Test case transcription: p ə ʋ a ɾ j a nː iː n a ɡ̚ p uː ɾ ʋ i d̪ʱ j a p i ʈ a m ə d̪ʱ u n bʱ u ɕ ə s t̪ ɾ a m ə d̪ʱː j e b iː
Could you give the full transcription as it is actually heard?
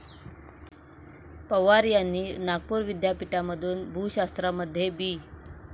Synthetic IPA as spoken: p ə ʋ a ɾ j a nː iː n a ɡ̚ p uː ɾ ʋ i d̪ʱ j a p i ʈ a m ə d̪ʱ uː n bʱ u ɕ a s t̪ ɾ a m ə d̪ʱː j e b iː

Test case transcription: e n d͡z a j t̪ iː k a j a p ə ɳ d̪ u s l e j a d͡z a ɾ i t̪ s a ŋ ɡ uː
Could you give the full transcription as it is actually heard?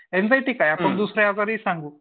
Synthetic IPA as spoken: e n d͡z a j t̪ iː k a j a p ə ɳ d̪ u s ɾ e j a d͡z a ɾ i s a ŋ ɡ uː

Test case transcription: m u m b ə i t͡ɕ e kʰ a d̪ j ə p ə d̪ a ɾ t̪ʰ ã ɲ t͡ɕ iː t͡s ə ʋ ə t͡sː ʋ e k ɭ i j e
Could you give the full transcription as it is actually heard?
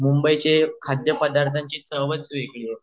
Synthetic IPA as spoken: m u m b ə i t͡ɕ e kʰ a d̪ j ə p ə d̪ a ɾ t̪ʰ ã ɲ t͡ɕ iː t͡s ə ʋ ə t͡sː ʋ e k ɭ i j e

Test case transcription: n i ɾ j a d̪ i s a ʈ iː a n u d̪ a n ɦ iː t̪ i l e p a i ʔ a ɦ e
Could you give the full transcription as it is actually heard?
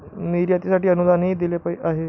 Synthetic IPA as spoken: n i ɾ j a t̪ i s a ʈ iː ə n u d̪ a n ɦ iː d̪ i l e p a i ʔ a ɦ e

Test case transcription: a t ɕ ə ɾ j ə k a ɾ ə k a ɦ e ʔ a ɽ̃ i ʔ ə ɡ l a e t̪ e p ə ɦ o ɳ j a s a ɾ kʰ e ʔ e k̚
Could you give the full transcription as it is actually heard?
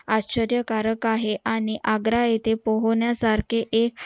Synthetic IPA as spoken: a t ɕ ə ɾ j ə k a ɾ ə k a ɦ e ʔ a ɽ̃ i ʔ a ɡ ɾ a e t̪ e p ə ɦ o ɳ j a s a ɾ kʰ e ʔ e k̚

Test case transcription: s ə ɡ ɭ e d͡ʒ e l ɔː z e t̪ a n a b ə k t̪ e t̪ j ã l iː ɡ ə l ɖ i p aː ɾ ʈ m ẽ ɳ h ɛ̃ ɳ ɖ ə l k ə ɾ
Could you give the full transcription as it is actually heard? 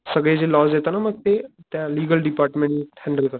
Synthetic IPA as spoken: s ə ɡ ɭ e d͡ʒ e l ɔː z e t̪ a n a m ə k t̪ e t̪ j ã l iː ɡ ə l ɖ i p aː ɾ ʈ m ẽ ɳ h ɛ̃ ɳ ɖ ə l k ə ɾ

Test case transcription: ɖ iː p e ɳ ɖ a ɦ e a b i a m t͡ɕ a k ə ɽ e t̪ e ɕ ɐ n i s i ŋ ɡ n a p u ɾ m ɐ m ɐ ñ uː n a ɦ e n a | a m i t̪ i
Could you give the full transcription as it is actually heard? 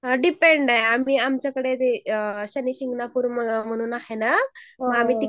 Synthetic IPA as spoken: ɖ i p e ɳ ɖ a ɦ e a m i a m t͡ɕ a k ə ɽ e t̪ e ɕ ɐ n i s i ŋ ɡ n a p u ɾ m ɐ m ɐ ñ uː n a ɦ e n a | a m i t̪ i

